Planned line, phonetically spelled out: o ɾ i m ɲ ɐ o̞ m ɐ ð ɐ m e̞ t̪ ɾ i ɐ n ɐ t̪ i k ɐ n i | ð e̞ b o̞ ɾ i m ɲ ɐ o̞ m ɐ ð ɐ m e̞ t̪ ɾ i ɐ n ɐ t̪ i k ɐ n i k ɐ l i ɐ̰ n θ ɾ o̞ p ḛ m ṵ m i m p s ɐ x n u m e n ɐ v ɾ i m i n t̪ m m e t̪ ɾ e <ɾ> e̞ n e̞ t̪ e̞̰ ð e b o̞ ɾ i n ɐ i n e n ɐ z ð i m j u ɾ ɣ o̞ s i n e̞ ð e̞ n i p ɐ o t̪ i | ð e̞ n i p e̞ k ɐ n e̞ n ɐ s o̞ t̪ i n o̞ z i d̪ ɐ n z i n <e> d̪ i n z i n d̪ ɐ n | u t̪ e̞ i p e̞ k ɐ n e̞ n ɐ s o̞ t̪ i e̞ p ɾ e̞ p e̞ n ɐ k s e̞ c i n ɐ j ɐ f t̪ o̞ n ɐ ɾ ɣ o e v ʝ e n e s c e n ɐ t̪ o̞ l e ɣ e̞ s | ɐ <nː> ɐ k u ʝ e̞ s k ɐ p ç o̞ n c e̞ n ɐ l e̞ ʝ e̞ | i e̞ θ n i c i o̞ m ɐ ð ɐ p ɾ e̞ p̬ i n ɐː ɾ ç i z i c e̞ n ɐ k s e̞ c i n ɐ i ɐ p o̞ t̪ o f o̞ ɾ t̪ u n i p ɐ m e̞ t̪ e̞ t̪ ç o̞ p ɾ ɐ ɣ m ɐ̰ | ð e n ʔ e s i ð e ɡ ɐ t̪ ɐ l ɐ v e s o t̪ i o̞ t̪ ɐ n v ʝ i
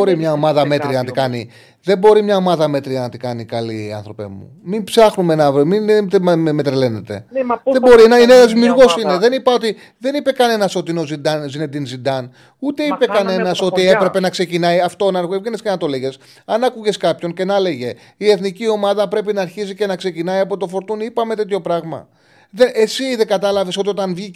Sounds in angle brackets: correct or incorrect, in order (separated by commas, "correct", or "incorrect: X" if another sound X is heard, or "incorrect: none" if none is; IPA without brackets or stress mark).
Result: incorrect: l, correct, incorrect: n